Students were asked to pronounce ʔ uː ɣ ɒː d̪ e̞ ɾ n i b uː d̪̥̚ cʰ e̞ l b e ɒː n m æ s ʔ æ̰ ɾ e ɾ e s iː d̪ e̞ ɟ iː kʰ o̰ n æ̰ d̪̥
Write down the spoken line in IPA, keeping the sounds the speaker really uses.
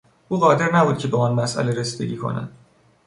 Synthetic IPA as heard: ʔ uː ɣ ɒː d̪ e̞ ɾ n æ b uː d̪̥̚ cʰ e̞ b e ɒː n m æ s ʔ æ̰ l e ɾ e s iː d̪ e̞ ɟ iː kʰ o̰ n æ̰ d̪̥